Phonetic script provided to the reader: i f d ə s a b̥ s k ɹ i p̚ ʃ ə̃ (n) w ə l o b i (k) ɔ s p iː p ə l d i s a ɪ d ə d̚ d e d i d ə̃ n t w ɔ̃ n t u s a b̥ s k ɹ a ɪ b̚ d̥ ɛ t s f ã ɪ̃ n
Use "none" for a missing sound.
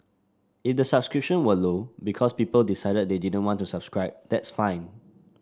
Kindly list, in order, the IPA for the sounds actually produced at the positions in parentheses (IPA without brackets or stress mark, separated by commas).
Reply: n, kʰ